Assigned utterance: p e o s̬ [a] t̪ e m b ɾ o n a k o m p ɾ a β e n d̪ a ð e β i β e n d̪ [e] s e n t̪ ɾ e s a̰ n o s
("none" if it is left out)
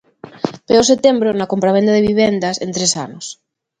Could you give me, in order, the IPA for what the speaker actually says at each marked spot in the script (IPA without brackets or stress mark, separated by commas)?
e, a